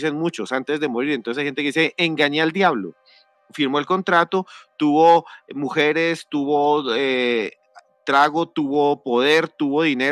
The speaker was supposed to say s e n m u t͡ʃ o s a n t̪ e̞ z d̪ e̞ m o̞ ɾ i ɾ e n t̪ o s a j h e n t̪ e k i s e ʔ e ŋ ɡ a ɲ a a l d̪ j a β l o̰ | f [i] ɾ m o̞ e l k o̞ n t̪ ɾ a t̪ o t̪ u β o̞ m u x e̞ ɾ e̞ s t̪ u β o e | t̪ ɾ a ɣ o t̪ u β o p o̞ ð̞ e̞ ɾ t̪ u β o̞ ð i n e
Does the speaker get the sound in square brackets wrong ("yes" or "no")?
no